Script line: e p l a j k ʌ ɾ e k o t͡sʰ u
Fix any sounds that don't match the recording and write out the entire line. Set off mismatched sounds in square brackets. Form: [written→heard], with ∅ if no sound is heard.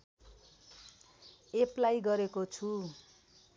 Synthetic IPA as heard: e p l a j [k→ɡ] ʌ ɾ e k o t͡sʰ u